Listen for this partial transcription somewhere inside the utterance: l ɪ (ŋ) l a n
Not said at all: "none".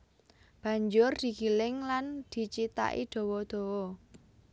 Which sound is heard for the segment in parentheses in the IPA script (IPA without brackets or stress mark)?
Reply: ŋ